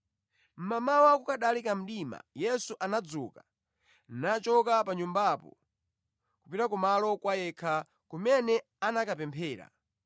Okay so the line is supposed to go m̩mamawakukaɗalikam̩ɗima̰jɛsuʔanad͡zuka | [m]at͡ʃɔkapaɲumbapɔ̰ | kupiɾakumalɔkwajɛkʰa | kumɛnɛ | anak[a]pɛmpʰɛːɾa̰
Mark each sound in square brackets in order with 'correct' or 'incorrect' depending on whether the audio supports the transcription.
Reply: incorrect: n, correct

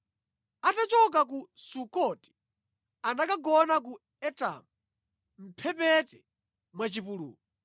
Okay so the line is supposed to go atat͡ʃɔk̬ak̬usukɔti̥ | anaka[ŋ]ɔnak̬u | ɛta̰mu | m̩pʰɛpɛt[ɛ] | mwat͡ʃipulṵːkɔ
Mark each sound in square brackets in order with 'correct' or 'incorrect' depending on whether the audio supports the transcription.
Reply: incorrect: ɡ, correct

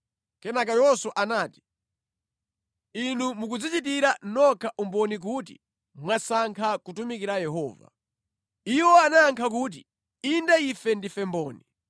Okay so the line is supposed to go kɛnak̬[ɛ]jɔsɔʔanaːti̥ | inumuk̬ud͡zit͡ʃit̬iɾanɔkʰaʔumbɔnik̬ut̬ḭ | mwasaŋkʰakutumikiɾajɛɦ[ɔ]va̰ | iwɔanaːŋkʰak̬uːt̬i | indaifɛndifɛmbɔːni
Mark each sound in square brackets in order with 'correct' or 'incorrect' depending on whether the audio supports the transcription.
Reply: incorrect: a, incorrect: ɔː

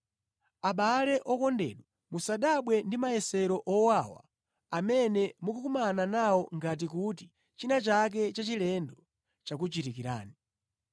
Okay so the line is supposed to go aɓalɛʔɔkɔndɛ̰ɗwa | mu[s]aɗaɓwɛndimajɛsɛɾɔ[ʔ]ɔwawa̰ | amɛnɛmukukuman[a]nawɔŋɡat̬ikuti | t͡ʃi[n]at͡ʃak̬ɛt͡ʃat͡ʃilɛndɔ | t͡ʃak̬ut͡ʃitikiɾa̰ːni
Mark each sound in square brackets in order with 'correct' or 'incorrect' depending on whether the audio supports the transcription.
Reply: correct, correct, correct, correct

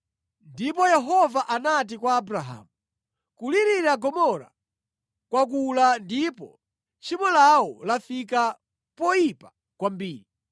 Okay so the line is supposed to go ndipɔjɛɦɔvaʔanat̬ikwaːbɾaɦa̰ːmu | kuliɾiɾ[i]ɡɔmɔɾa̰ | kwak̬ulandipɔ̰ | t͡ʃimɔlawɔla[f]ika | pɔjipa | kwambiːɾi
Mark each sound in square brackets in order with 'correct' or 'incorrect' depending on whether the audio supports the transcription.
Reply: incorrect: a, correct

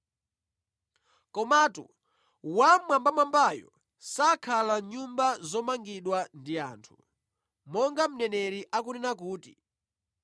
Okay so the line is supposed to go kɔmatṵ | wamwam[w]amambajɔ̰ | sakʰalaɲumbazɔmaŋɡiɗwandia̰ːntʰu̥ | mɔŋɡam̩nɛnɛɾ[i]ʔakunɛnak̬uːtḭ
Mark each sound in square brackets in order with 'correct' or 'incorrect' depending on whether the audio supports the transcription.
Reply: incorrect: b, correct

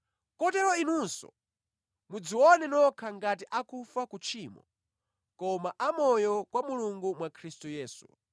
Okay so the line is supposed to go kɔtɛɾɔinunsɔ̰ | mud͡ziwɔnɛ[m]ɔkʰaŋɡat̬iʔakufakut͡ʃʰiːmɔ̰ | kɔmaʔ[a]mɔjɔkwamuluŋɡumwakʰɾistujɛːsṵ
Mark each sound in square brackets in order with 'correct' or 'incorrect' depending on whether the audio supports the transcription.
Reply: incorrect: n, correct

